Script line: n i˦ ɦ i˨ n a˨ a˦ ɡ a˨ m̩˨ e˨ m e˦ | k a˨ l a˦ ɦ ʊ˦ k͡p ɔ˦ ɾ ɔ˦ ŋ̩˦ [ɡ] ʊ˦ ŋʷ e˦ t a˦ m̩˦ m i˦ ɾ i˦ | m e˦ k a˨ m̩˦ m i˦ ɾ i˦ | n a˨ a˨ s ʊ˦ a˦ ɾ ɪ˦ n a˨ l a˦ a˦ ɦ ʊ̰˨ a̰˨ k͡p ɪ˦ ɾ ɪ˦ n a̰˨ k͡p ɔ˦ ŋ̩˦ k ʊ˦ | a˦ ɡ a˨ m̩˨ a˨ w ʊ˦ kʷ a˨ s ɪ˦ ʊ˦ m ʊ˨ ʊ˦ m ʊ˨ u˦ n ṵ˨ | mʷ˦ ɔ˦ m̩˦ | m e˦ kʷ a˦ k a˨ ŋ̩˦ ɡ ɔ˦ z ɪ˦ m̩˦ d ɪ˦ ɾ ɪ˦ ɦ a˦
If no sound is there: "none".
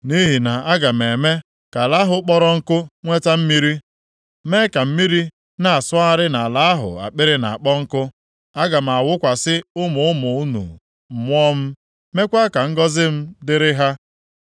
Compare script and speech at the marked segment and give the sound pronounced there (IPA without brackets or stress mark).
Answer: k